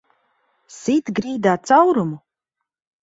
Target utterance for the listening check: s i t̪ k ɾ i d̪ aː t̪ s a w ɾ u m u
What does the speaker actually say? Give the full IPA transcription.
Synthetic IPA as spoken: s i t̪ ɡ ɾ iː d̪ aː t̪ s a w ɾ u m u